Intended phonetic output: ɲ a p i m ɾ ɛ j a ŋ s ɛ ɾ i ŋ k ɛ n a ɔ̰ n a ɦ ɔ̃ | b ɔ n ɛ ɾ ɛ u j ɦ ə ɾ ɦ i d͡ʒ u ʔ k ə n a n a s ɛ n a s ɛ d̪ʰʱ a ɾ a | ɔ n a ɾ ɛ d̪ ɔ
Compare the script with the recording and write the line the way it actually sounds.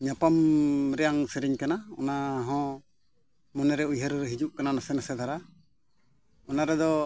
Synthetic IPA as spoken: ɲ a p a m ɾ ɛ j a ŋ s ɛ ɾ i ɲ k a n a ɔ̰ n a ɦ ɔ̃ | m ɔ n ɛ ɾ ɛ u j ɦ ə ɾ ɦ i d͡ʒ u ʔ k a n a n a s ɛ n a s ɛ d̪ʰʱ a ɾ a | ɔ n a ɾ ɛ d̪ ɔ